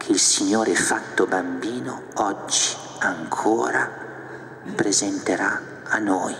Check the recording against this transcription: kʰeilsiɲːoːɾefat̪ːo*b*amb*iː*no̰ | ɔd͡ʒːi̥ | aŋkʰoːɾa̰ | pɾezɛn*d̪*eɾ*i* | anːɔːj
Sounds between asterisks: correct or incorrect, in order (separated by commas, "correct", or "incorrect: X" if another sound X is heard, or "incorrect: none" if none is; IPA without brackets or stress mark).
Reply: correct, correct, incorrect: t̪, incorrect: a